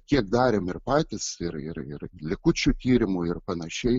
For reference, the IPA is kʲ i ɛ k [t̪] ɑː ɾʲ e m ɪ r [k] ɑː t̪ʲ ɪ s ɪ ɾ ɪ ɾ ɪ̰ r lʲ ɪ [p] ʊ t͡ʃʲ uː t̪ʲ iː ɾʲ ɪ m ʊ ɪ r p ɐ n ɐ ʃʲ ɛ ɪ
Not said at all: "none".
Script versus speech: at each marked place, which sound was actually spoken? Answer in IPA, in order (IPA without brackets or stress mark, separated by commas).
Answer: d̪, p, k